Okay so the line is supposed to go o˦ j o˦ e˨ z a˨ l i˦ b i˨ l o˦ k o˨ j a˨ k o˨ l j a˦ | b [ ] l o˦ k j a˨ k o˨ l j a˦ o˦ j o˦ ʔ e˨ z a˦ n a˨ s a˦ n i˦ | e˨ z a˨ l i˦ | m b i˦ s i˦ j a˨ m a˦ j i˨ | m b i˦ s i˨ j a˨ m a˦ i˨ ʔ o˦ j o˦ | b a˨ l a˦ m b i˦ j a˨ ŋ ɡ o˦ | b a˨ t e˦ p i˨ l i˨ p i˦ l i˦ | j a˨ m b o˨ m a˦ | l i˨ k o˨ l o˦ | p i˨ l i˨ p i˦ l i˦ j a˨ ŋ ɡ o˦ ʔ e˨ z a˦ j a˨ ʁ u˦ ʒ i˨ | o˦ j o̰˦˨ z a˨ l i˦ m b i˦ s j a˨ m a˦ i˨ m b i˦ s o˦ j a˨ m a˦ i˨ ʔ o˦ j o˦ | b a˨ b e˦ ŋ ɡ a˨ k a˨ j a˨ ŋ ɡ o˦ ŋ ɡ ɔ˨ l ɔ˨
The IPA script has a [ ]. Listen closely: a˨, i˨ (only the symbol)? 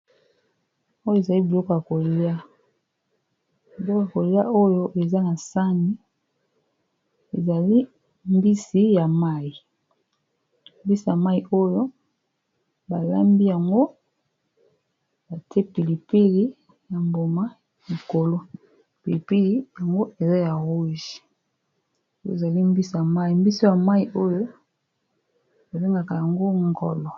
i˨